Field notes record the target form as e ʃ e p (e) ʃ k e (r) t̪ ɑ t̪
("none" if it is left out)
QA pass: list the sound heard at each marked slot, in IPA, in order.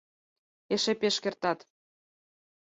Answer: e, r

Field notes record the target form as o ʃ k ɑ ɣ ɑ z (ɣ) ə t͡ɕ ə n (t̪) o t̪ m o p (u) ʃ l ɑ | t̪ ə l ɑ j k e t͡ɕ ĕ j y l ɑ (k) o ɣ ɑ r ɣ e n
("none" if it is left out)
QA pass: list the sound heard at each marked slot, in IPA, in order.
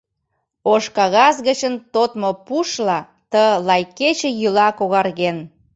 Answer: ɣ, t̪, u, k

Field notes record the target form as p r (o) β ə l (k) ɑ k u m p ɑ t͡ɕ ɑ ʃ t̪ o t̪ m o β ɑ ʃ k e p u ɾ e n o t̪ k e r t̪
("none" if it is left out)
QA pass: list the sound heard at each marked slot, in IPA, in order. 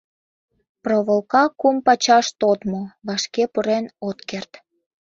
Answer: o, k

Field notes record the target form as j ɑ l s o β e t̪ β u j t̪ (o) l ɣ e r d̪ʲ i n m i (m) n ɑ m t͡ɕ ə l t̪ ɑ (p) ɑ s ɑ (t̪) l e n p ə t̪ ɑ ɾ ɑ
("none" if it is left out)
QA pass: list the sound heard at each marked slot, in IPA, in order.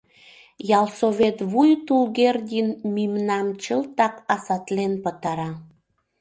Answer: u, m, k, t̪

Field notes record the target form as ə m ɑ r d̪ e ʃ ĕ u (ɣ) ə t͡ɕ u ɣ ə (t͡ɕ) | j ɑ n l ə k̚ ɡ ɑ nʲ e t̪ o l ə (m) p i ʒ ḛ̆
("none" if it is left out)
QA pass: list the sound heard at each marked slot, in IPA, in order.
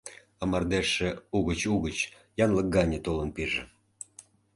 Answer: ɣ, t͡ɕ, n

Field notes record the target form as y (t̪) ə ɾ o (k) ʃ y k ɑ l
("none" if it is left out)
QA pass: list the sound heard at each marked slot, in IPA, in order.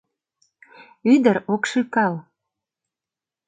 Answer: d̪, k

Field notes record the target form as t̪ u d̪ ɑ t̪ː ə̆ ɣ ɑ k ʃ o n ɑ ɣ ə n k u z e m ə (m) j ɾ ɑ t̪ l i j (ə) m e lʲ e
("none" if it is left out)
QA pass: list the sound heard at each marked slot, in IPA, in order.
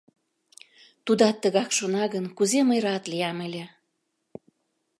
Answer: none, ɑ

